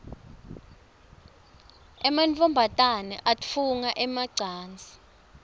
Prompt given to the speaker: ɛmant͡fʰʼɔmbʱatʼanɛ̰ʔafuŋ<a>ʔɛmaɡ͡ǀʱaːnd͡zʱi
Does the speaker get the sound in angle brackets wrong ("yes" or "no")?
no